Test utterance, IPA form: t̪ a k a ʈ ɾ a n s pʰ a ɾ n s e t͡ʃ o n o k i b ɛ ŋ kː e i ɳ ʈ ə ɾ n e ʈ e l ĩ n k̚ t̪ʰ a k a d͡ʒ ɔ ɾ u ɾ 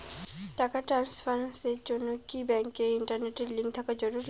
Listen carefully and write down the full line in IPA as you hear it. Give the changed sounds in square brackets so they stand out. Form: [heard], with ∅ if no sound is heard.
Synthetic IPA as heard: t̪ a k a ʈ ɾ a n s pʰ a ɾ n s e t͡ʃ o n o k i b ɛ ŋ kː e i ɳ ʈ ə ɾ n e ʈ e l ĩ [ŋ] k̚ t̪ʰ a k a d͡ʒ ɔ ɾ u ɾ